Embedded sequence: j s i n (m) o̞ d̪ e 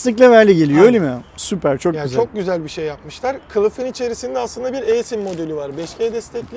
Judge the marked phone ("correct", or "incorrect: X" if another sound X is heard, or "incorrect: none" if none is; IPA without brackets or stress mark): correct